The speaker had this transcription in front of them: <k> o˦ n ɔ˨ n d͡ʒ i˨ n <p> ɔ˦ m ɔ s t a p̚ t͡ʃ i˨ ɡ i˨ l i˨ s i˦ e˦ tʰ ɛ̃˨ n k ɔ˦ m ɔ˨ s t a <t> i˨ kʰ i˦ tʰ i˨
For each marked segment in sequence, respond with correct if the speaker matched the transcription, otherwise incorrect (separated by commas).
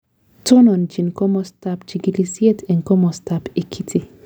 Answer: incorrect, incorrect, incorrect